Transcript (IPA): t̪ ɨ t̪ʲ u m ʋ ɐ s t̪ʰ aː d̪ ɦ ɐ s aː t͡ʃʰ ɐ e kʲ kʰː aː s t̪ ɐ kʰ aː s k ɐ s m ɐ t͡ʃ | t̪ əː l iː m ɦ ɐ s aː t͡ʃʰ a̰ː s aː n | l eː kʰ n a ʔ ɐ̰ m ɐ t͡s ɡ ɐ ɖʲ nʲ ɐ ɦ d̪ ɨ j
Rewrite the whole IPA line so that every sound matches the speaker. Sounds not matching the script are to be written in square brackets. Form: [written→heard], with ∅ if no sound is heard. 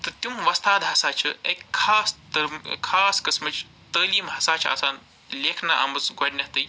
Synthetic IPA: t̪ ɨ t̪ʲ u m ʋ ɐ s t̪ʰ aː d̪ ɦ ɐ s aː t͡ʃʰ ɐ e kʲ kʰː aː s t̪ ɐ kʰ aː s k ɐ s m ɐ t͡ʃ | t̪ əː l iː m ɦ ɐ s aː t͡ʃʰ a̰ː s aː n | l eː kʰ n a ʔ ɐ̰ m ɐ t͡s ɡ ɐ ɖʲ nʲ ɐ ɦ [d̪→t̪] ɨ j

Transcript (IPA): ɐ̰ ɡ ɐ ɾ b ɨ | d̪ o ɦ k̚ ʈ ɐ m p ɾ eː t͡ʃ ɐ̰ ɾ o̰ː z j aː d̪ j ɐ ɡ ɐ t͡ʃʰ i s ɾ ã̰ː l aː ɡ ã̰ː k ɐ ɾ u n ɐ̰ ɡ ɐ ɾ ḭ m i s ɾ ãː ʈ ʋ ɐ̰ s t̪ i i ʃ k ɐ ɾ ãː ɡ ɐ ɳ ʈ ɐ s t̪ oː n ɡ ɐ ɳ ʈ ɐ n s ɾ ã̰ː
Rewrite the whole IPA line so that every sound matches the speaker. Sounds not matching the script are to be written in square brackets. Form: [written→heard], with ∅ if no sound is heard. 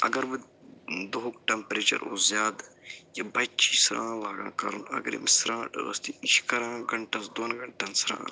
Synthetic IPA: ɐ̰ ɡ ɐ ɾ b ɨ | d̪ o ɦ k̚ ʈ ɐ m p ɾ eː t͡ʃ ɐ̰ ɾ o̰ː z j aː d̪ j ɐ [ɡ→b] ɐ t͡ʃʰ i s ɾ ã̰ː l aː ɡ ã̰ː k ɐ ɾ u n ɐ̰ ɡ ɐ ɾ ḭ m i s ɾ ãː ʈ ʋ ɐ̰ s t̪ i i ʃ k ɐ ɾ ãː ɡ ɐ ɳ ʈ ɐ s [t̪→d̪] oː n ɡ ɐ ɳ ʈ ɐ n s ɾ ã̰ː

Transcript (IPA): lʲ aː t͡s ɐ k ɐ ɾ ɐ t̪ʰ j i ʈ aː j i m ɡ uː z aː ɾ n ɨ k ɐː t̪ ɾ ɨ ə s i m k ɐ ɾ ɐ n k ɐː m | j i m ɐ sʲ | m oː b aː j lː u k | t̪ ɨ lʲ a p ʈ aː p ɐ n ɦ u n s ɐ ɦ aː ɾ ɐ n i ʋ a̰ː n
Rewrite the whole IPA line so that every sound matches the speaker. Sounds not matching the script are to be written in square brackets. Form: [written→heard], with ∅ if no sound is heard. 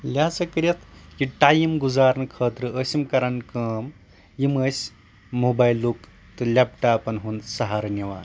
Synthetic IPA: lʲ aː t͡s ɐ k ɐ ɾ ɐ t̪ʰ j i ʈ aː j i m ɡ [uː→u] z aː ɾ n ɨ [k→kʰ] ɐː t̪ ɾ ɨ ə s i m k ɐ ɾ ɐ n k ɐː m | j i m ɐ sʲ | m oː b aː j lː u k | t̪ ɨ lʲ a p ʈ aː p ɐ n ɦ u n s ɐ ɦ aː ɾ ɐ n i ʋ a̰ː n

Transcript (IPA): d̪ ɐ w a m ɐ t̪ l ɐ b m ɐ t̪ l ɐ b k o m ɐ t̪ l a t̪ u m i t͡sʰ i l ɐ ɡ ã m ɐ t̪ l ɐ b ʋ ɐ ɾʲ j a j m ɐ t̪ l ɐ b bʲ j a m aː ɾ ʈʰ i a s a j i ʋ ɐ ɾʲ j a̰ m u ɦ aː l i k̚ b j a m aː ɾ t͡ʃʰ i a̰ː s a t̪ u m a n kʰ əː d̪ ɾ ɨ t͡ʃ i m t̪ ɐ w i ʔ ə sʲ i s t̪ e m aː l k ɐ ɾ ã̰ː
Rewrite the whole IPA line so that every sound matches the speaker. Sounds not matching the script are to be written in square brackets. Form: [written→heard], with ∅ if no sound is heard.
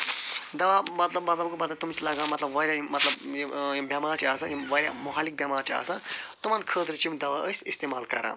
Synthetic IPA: d̪ ɐ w a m ɐ t̪ l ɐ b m ɐ t̪ l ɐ b k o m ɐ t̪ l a t̪ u m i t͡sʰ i l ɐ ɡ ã m ɐ t̪ l ɐ b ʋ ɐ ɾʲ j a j m ɐ t̪ l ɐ b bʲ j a m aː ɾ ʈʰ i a s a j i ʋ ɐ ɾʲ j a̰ m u ɦ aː l i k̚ b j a m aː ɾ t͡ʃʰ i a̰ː s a t̪ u m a n kʰ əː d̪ ɾ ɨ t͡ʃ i m [t̪→d̪] ɐ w [i→a] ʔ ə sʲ i s t̪ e m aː l k ɐ ɾ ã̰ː

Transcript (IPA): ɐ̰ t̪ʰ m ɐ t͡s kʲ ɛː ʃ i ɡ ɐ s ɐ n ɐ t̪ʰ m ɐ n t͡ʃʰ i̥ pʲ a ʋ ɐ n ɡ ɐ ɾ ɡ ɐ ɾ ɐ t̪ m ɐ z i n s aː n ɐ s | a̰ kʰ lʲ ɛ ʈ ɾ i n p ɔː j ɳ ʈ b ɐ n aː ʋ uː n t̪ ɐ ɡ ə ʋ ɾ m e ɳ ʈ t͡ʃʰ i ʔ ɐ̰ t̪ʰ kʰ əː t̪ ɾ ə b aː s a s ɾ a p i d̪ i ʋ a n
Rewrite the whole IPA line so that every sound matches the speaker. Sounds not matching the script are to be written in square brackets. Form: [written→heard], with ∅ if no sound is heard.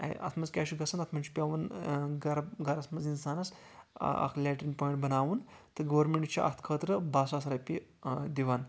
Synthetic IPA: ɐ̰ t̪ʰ m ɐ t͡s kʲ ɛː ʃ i ɡ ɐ s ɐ n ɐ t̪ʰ m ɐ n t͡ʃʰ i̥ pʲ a ʋ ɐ n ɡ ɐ ɾ ɡ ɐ ɾ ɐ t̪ m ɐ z i n s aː n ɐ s | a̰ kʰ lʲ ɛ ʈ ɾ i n p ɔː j ɳ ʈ b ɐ n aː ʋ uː n t̪ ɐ ɡ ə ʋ ɾ m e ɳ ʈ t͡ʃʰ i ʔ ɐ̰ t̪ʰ kʰ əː t̪ ɾ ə b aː s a s ɾ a p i d̪ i ʋ a n

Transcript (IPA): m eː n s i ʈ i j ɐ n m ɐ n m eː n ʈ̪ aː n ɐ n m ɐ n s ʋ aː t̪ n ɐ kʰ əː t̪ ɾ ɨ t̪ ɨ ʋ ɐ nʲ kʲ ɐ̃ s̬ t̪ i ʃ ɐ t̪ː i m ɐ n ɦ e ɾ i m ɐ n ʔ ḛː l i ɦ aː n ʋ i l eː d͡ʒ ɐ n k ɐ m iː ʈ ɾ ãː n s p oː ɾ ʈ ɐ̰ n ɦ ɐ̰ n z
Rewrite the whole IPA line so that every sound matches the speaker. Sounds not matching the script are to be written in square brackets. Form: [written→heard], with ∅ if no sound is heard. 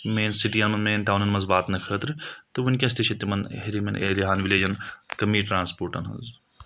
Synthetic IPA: m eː n s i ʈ i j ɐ n m ɐ n m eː n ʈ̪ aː n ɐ n m ɐ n [s→z] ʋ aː t̪ n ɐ kʰ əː t̪ ɾ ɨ t̪ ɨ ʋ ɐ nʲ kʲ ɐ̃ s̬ t̪ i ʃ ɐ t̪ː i m ɐ n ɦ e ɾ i m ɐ n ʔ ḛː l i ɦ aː n ʋ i l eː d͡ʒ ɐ n k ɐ m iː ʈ ɾ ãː n s p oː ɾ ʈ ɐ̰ n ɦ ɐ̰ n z

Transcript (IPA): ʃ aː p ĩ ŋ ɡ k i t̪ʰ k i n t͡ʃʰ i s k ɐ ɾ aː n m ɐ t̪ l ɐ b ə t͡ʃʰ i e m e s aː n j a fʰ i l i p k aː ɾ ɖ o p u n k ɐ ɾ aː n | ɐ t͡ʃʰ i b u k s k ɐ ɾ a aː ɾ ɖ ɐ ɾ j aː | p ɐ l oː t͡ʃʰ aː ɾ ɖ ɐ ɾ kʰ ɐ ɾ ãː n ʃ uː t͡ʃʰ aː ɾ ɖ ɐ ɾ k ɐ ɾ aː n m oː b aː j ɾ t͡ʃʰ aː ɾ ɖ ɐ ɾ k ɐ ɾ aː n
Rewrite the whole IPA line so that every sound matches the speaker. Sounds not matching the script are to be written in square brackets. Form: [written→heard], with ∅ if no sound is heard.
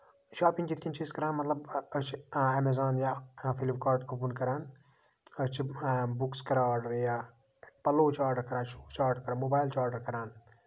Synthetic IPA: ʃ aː p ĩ ŋ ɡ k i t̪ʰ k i n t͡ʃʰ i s k ɐ ɾ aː n m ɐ t̪ l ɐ b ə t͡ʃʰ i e m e [s→z] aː n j a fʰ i l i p k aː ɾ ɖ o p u n k ɐ ɾ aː n | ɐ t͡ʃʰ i b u k s k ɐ ɾ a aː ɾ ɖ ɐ ɾ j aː | p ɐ l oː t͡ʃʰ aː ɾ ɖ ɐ ɾ [kʰ→k] ɐ ɾ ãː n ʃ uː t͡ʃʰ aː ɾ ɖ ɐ ɾ k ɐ ɾ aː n m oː b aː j [ɾ→l] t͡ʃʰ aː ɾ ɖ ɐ ɾ k ɐ ɾ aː n

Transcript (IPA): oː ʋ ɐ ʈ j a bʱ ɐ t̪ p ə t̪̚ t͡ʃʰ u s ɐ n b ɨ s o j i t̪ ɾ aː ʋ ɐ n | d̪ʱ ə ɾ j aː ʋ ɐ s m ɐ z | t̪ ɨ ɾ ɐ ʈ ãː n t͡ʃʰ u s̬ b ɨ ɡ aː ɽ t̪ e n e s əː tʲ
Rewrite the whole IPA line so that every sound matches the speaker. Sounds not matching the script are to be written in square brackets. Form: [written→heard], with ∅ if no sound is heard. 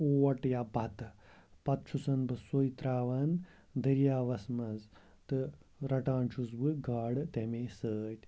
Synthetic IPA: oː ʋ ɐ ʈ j a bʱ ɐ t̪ p [ə→ɐ] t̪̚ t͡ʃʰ u s ɐ n b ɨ s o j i t̪ ɾ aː ʋ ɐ n | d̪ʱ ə ɾ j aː ʋ ɐ s m ɐ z | t̪ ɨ ɾ ɐ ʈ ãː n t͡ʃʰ u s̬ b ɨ ɡ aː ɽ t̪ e [n→m] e s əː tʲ

